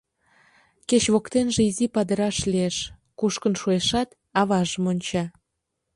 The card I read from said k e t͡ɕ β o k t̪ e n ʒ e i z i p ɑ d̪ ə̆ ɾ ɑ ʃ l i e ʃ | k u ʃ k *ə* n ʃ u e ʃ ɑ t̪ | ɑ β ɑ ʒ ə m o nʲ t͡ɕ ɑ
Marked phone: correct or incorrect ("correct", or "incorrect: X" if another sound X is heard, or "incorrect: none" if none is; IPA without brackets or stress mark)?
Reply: correct